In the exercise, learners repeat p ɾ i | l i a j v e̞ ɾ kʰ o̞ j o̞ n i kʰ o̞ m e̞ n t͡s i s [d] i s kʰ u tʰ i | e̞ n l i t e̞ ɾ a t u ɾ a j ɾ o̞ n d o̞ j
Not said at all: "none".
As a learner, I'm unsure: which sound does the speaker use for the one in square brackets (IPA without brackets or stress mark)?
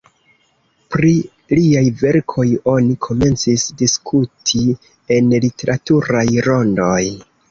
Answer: d